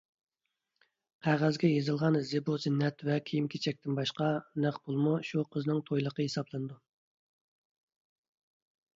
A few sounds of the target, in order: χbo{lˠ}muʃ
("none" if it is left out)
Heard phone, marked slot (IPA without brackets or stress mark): lˠ